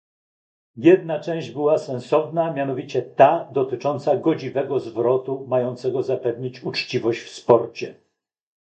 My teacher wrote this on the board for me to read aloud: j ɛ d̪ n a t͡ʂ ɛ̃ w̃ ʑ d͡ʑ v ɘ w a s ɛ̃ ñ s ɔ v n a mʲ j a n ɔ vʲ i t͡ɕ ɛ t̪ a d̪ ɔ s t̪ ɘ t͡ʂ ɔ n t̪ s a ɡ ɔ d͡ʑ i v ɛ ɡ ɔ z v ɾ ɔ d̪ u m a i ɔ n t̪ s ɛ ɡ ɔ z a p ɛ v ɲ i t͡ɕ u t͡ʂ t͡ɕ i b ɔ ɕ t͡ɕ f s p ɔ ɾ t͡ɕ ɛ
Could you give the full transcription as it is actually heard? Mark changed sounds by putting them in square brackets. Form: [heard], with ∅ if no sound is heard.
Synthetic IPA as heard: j ɛ d̪ n a t͡ʂ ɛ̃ w̃ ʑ d͡ʑ [b] ɘ w a s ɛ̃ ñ s ɔ v n a mʲ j a n ɔ vʲ i t͡ɕ ɛ t̪ a d̪ ɔ [∅] t̪ ɘ t͡ʂ ɔ n t̪ s a ɡ ɔ d͡ʑ i v ɛ ɡ ɔ z v ɾ ɔ [t̪] u m a [j] ɔ n t̪ s ɛ ɡ ɔ z a p ɛ v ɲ i t͡ɕ u t͡ʂ t͡ɕ i [v] ɔ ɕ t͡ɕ f s p ɔ ɾ t͡ɕ ɛ